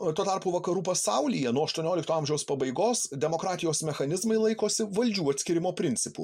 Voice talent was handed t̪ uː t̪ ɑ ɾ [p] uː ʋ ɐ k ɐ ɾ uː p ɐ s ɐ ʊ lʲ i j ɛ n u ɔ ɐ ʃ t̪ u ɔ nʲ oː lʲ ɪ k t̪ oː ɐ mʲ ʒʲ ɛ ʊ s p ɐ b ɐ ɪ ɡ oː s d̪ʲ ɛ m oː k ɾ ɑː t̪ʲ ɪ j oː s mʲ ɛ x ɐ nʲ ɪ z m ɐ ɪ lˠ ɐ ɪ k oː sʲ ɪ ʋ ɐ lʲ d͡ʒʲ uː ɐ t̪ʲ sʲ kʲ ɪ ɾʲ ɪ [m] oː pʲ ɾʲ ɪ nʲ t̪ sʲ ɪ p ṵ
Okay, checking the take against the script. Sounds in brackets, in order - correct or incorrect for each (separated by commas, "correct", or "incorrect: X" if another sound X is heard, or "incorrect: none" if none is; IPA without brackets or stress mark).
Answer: correct, correct